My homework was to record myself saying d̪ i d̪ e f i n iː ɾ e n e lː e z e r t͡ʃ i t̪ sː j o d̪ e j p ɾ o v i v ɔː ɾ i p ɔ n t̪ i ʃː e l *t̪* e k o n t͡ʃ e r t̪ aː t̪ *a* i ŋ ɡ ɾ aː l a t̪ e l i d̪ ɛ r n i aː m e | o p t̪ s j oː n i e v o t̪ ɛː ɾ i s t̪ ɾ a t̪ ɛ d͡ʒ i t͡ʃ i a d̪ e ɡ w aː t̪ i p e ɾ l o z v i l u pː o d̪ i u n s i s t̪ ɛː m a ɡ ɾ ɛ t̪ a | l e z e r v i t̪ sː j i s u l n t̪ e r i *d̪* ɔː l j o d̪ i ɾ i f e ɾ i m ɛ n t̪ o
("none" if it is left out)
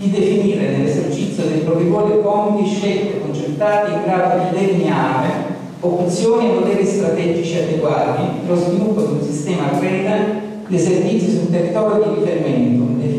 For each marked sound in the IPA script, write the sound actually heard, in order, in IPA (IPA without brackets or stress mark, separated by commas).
t̪, i, t̪